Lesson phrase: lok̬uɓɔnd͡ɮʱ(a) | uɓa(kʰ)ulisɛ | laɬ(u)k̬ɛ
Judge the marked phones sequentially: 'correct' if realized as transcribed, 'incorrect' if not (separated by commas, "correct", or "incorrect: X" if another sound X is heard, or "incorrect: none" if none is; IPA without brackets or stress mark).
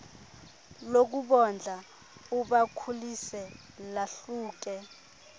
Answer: correct, correct, incorrect: uː